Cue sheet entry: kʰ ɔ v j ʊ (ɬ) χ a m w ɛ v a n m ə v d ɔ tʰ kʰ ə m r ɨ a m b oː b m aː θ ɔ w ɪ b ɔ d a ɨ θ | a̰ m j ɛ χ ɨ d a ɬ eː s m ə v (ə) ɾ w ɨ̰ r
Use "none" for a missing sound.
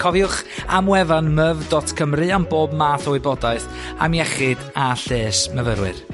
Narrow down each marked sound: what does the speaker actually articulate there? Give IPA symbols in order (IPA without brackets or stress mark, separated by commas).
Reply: none, ə